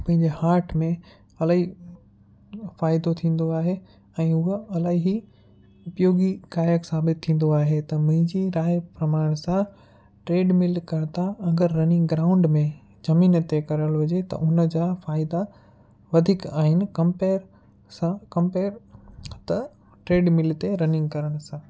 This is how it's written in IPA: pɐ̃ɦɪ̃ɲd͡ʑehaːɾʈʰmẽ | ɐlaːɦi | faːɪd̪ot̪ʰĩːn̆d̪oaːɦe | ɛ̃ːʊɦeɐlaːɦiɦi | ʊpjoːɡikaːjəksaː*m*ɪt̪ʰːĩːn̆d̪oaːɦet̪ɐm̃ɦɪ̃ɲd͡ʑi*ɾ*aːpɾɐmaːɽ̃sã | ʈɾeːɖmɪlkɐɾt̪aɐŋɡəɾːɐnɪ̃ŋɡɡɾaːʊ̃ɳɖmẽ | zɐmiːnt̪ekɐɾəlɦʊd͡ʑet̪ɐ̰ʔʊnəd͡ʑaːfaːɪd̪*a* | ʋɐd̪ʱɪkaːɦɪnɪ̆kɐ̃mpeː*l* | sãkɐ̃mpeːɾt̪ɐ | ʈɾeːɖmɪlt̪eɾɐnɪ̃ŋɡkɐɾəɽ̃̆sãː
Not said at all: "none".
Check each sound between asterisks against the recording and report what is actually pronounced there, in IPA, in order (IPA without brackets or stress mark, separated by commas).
b, ɾ, a, ɾ